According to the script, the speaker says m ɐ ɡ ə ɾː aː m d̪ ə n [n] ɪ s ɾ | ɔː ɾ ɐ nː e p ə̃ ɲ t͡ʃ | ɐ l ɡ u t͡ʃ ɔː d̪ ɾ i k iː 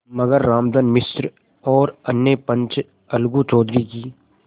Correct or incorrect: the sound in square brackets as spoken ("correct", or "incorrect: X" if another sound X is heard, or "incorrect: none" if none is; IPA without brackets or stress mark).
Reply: incorrect: m